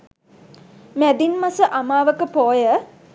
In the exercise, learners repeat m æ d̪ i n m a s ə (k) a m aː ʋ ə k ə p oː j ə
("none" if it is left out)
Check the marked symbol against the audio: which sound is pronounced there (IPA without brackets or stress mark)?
ʔ